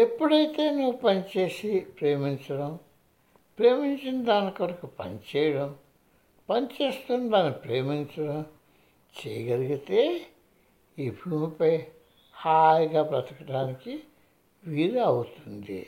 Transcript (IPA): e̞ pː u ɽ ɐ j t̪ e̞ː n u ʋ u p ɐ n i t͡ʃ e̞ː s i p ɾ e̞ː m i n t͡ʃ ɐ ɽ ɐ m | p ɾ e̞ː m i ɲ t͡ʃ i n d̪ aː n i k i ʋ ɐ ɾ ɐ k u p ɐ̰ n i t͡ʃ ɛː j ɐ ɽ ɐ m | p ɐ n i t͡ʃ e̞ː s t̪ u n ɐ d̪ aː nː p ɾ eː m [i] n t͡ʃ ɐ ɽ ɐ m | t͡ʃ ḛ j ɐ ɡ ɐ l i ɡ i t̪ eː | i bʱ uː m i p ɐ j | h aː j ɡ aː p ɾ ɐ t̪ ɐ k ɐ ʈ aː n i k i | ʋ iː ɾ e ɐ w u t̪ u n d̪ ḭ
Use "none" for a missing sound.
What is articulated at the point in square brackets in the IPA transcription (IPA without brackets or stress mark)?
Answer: i